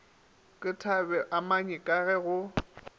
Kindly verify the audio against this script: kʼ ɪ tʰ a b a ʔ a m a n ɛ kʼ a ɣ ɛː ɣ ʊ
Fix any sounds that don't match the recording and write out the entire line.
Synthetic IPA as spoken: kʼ ɪ tʰ a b ɛ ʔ a m a ɲ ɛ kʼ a ɣ ɛ ɣ ʊ